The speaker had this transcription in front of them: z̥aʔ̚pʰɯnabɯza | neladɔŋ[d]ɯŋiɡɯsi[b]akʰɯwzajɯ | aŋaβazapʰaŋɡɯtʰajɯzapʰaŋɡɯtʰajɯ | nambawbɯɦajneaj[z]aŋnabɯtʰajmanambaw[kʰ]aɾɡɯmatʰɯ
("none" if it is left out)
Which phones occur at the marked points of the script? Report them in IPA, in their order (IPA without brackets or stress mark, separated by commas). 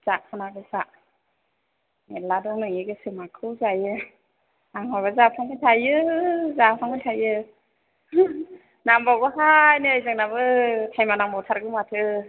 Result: n, m, z, tʰ